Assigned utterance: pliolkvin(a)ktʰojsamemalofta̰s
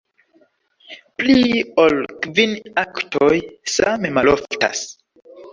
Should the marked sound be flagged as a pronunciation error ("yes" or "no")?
no